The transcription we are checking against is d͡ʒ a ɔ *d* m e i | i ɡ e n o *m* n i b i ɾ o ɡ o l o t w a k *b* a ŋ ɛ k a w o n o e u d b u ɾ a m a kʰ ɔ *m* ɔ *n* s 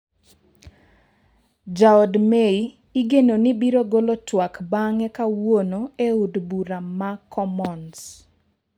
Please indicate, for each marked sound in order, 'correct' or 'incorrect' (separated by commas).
correct, incorrect, correct, correct, correct